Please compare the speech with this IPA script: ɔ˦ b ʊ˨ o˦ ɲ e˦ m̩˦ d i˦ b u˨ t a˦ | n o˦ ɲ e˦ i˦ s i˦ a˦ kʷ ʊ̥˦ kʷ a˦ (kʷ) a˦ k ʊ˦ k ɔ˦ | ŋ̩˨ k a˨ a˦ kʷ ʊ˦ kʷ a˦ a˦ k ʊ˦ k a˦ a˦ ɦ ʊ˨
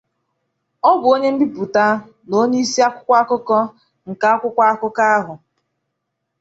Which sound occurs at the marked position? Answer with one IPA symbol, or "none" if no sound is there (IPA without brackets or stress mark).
none